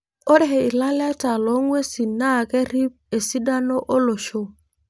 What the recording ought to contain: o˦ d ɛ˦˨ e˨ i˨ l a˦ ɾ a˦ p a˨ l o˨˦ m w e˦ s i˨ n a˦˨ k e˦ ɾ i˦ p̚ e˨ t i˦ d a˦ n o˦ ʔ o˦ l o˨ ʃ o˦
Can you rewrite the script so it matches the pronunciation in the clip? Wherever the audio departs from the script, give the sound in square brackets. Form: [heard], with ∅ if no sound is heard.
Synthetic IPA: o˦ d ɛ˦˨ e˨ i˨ l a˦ [l] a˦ [t] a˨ l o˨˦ [ŋ] w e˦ s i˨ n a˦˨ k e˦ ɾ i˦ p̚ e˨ [s] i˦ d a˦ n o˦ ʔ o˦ l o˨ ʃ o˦